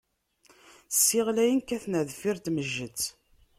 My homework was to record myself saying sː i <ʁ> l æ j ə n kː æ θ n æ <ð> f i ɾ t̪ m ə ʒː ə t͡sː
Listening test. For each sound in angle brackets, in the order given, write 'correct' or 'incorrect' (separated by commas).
correct, correct